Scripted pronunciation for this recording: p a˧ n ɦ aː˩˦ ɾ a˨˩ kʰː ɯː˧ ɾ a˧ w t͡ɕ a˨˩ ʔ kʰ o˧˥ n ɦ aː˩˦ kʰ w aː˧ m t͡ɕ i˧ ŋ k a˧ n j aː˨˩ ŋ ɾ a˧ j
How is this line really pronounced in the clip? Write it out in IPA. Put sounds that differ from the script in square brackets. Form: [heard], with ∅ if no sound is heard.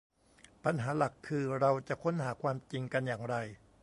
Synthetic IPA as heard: p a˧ n ɦ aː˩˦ [l] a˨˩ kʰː ɯː˧ ɾ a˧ w t͡ɕ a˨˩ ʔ kʰ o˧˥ n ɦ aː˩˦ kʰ w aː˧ m t͡ɕ i˧ ŋ k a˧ n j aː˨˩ ŋ ɾ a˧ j